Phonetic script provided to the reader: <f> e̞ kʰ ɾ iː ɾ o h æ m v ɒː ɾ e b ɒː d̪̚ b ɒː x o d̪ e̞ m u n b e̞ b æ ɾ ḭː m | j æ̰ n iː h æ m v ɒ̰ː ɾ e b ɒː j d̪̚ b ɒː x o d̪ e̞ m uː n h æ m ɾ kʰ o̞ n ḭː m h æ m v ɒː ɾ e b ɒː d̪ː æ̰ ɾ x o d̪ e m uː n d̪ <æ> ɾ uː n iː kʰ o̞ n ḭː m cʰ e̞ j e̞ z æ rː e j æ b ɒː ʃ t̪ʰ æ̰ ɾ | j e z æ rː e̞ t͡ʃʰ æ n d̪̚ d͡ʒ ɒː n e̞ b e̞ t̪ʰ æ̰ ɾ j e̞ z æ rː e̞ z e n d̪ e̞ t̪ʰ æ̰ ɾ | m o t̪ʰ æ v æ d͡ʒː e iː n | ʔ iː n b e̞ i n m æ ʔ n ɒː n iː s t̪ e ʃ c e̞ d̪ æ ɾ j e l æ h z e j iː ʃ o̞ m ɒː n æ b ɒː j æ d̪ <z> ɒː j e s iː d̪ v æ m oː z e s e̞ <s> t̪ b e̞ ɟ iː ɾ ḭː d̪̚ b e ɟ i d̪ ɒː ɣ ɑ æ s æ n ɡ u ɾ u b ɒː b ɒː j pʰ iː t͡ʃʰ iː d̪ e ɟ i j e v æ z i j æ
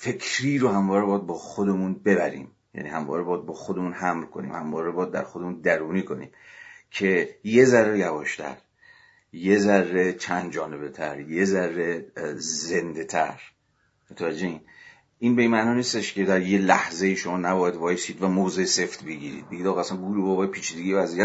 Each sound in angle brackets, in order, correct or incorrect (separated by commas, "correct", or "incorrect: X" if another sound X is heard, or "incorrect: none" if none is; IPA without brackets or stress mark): correct, correct, incorrect: v, incorrect: f